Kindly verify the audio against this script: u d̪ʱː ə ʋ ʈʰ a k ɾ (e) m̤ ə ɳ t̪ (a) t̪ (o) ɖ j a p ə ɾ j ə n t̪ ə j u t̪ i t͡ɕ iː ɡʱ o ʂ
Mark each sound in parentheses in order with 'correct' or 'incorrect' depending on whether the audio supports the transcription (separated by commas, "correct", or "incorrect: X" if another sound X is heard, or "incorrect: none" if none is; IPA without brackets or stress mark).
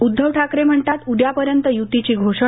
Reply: correct, correct, incorrect: u